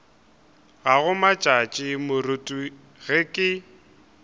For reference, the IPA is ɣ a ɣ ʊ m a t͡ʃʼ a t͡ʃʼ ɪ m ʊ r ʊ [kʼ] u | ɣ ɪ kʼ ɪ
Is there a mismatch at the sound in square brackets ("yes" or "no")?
yes